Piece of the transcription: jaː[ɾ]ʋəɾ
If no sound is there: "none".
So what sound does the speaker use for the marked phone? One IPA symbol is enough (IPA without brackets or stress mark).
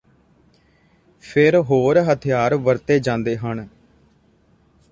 ɾ